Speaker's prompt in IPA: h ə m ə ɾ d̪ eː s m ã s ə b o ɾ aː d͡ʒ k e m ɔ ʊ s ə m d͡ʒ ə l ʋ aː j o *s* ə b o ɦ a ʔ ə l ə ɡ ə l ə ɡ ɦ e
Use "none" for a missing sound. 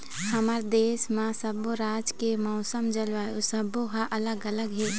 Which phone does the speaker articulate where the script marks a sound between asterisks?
s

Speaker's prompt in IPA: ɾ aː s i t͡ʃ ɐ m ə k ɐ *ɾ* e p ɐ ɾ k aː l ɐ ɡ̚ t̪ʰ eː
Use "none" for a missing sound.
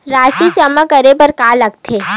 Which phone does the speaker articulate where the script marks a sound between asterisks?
ɾ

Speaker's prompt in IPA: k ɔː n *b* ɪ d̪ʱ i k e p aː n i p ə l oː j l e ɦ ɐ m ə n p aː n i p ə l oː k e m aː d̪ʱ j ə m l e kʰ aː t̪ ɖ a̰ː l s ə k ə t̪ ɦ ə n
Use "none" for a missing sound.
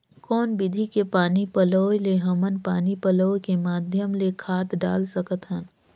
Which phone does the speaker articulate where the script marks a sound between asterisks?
b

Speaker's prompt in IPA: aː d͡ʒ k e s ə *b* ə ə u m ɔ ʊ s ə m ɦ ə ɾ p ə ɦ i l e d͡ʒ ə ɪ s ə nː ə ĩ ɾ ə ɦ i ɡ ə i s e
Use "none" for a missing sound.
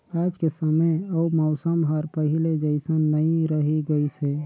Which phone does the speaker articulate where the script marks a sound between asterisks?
m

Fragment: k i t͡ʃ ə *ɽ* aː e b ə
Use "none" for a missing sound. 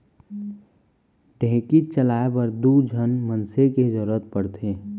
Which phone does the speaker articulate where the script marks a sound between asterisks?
l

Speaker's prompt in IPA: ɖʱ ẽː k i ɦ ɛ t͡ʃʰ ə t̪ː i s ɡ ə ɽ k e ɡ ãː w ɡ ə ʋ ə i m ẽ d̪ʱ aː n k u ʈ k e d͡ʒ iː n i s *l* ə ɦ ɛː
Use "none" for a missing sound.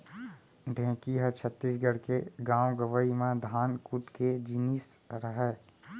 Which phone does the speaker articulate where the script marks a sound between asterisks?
ɾ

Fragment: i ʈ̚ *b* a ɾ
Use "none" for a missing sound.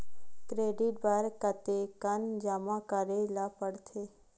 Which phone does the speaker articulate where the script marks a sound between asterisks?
b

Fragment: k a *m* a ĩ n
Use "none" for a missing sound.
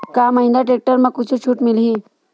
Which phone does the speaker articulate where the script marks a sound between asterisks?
m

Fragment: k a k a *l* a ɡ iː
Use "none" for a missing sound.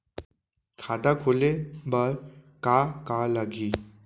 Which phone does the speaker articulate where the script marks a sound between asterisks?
l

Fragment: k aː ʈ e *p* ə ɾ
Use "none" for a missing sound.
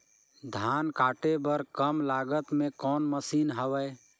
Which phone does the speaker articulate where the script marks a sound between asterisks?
b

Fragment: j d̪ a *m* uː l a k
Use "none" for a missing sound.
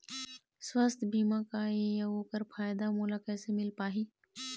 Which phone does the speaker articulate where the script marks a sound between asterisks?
m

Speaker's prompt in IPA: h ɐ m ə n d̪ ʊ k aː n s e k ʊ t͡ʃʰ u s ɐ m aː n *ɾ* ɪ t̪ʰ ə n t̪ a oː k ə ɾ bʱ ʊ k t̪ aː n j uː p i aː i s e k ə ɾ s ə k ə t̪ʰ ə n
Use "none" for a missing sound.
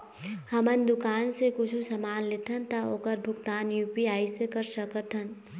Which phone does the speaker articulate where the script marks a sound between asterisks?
l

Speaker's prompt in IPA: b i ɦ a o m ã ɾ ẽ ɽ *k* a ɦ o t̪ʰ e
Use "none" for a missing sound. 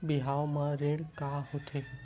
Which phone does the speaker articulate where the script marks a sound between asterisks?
k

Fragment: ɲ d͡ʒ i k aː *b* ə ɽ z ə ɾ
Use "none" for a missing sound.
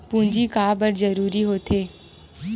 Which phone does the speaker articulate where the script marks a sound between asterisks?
b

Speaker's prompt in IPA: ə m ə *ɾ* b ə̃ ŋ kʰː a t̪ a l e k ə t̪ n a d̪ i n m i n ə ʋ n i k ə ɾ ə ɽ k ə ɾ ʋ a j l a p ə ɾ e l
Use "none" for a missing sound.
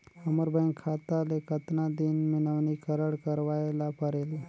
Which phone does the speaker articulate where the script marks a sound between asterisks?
ɾ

